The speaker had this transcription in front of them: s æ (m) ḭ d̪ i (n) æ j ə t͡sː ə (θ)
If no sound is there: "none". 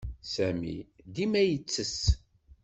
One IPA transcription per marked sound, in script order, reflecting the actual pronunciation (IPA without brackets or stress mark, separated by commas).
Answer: m, m, s